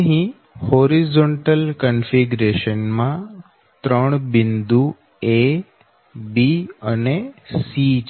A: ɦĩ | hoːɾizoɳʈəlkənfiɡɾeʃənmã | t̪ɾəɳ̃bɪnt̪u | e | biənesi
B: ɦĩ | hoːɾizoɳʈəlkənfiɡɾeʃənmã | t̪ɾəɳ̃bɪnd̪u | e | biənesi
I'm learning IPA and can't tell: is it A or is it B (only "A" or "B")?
B